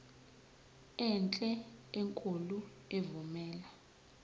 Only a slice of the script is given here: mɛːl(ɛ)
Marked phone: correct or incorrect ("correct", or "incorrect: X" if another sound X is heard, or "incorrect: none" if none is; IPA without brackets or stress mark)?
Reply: incorrect: a